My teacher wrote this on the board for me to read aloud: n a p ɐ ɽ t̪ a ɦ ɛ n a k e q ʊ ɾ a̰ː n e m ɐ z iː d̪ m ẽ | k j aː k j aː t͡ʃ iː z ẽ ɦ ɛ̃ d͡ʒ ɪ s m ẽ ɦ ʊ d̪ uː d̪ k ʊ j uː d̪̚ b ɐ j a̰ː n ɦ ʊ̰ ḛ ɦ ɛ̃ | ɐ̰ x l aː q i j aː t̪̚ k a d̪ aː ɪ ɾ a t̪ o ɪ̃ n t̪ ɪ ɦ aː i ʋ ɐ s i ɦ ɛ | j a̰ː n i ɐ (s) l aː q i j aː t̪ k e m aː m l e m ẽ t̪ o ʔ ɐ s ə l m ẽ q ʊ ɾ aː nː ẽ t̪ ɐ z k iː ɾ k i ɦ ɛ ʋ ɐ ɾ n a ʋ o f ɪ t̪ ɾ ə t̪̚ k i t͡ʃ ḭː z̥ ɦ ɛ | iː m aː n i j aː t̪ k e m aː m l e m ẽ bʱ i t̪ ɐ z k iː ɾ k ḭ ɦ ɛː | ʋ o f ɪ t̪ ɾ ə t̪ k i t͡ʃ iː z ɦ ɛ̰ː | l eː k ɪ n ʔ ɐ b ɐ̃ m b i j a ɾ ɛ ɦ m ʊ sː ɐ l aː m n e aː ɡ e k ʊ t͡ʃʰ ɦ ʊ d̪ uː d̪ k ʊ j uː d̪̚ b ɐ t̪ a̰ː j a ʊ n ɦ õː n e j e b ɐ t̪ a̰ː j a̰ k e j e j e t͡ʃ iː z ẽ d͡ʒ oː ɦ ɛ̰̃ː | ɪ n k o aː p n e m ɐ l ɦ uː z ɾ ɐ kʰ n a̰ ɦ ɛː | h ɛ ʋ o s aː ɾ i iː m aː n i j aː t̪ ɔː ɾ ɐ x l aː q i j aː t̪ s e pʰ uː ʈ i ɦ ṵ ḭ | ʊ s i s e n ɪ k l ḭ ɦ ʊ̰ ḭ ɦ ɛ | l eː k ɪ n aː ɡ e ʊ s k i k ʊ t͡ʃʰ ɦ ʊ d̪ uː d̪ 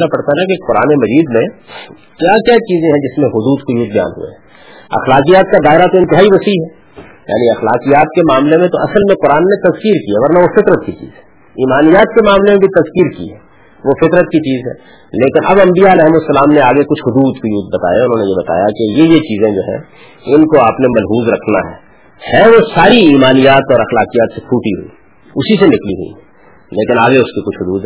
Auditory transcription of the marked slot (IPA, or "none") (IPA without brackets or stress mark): x